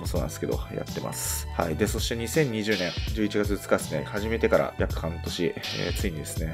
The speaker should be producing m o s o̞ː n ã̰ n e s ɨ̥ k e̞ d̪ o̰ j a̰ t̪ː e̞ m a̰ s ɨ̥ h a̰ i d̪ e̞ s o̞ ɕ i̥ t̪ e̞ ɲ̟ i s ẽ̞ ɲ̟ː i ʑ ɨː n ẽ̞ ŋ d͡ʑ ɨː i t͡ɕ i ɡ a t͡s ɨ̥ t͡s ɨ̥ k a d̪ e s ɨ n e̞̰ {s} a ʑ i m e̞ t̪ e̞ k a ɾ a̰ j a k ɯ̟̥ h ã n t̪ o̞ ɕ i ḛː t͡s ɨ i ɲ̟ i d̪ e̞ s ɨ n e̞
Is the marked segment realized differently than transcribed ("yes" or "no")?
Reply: yes